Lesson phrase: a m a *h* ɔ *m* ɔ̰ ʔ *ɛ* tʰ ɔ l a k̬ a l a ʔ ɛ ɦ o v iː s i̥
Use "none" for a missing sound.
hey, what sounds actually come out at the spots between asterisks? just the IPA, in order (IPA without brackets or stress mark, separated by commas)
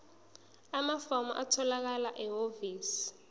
f, m, a